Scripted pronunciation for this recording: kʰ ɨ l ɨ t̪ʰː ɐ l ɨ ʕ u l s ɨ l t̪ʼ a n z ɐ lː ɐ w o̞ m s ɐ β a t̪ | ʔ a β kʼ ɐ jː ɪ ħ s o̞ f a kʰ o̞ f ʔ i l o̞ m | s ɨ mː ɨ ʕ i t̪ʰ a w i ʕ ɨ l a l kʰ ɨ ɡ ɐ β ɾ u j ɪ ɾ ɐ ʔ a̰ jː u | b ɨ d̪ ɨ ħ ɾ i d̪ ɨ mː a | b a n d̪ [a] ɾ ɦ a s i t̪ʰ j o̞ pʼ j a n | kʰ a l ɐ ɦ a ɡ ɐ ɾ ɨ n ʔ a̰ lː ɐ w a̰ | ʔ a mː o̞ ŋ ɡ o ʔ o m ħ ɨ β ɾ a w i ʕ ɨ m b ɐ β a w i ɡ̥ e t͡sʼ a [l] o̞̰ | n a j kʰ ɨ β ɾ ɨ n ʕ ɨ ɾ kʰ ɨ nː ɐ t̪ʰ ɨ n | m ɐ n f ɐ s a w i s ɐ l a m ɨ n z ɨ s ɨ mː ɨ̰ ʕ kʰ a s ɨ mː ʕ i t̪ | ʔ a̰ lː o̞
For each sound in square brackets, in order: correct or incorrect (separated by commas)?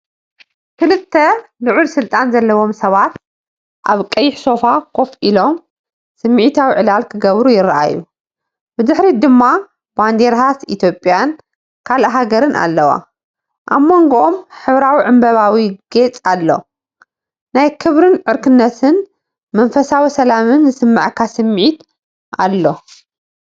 incorrect, incorrect